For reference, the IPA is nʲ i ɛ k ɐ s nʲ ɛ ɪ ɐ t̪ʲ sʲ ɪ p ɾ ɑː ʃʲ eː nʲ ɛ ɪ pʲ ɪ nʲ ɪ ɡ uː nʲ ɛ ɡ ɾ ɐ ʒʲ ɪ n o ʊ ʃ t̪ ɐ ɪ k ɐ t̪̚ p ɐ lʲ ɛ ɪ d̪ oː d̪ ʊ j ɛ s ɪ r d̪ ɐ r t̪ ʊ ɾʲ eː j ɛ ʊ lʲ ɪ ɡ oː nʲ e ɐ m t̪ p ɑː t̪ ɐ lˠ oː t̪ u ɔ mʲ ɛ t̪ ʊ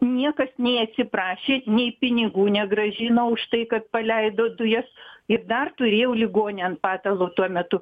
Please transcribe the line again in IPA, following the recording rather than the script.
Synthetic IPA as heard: nʲ i ɛ k ɐ s nʲ ɛ ɪ ɐ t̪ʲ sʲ ɪ p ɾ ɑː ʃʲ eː nʲ ɛ ɪ pʲ ɪ nʲ ɪ ɡ uː nʲ ɛ ɡ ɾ ɐ ʒʲ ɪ n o ʊ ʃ t̪ ɐ ɪ k ɐ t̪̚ p ɐ lʲ ɛ ɪ d̪ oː d̪ ʊ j ɛ s ɪ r d̪ ɐ r t̪ ʊ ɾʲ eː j ɛ ʊ lʲ ɪ ɡ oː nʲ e ɐ n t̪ p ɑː t̪ ɐ lˠ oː t̪ u ɔ mʲ ɛ t̪ ʊ

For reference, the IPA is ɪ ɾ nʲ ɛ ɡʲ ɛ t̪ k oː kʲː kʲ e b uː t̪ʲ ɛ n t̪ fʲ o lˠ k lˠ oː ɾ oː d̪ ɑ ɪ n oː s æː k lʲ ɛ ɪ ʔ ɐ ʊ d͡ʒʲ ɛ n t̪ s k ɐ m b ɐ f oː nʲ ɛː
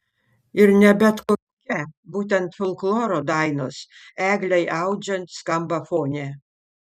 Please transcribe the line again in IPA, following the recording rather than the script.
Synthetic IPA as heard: ɪ ɾ nʲ ɛ bʲ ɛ t̪ k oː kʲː kʲ ɛ b uː t̪ʲ ɛ n t̪ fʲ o lˠ k lˠ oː ɾ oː d̪ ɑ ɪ n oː s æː ɡ lʲ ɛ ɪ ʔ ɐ ʊ d͡ʒʲ ɛ n t̪ s k ɐ m b ɐ f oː nʲ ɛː

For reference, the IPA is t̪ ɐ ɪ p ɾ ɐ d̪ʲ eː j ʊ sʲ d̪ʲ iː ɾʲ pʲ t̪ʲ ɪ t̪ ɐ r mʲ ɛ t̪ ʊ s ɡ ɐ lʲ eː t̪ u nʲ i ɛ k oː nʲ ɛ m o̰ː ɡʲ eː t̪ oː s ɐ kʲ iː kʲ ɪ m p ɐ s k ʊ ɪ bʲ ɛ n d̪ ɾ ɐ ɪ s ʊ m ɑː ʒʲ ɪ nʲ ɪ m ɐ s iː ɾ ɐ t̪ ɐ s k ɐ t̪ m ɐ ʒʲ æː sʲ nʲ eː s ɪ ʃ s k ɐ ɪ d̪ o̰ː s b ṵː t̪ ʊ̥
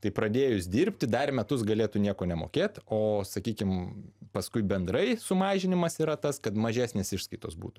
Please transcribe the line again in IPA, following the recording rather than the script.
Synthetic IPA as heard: t̪ ɐ ɪ p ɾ ɐ d̪ʲ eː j ʊ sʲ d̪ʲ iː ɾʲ pʲ t̪ʲ ɪ d̪ ɐ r mʲ ɛ t̪ ʊ s ɡ ɐ lʲ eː t̪ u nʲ i ɛ k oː nʲ ɛ m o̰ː kʲ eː t̪ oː s ɐ kʲ iː kʲ ɪ m p ɐ s k ʊ ɪ bʲ ɛ n d̪ ɾ ɐ ɪ s ʊ m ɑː ʒʲ ɪ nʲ ɪ m ɐ s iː ɾ ɐ t̪ ɐ s k ɐ t̪ m ɐ ʒʲ æː sʲ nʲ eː s ɪ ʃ s k ɐ ɪ t̪ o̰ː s b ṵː t̪ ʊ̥

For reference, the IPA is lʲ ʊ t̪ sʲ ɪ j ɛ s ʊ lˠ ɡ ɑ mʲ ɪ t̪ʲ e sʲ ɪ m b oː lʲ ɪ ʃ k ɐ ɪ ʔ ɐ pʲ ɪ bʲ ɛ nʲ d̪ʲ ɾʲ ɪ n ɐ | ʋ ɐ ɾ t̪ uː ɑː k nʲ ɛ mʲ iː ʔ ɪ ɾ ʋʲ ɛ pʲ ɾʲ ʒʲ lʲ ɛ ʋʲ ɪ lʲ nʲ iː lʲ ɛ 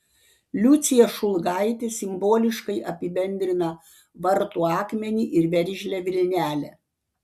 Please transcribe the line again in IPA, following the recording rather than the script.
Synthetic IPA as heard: lʲ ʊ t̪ sʲ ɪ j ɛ ʃ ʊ lˠ ɡ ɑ ɪ t̪ʲ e sʲ ɪ m b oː lʲ ɪ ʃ k ɐ ɪ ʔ ɐ pʲ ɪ bʲ ɛ nʲ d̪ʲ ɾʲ ɪ n ɐ | ʋ ɐ ɾ t̪ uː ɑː k mʲ ɛ nʲ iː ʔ ɪ ɾ ʋʲ ɛ ɾʲ ʒʲ lʲ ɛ ʋʲ ɪ lʲ nʲ æː lʲ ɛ

